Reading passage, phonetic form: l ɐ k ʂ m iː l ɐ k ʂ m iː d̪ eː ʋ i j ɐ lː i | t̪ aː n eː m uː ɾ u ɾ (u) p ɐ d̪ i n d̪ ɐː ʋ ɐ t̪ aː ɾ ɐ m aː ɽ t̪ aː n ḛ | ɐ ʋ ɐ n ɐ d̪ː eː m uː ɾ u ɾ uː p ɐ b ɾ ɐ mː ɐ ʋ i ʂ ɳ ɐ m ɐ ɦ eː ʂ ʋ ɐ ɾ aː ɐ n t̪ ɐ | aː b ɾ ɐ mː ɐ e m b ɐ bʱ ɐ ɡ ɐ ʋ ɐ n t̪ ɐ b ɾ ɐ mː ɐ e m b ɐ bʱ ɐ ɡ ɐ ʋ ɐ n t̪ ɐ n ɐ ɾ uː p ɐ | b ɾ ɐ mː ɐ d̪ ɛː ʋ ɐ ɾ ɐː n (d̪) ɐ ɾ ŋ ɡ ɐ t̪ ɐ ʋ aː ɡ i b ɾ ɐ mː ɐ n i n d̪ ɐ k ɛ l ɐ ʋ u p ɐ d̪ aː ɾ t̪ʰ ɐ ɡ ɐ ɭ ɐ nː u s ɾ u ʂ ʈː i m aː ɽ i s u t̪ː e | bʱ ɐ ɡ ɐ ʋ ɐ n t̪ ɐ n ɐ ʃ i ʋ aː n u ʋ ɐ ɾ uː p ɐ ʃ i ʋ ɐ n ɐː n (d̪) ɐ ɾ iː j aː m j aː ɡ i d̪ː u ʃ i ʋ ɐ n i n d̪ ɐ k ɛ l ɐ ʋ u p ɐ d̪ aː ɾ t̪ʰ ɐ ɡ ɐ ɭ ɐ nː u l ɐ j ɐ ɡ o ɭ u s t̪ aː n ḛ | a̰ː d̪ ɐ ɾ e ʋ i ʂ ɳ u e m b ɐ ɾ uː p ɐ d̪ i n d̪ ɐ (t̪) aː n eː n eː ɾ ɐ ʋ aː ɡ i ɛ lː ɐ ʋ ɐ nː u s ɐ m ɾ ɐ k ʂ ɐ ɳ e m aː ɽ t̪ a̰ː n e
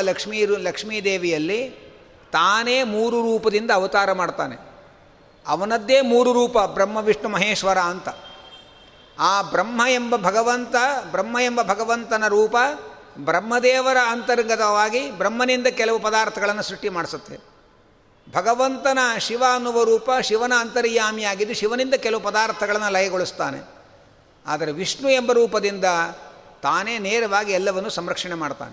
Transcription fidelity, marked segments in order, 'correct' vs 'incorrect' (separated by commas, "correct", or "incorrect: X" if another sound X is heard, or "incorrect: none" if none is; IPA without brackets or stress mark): incorrect: uː, incorrect: t̪, incorrect: t̪, correct